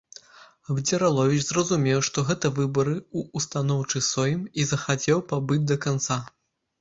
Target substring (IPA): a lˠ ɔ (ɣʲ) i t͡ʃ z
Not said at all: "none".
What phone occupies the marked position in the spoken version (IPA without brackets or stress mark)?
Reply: vʲ